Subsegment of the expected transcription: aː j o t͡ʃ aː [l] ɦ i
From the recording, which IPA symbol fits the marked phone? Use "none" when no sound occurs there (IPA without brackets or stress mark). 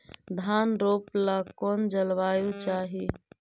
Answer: none